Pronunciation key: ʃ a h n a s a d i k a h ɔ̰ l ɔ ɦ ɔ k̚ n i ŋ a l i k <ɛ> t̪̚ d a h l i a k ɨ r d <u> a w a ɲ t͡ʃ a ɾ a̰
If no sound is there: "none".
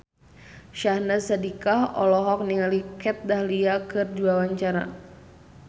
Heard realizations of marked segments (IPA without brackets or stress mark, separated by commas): ɛ, u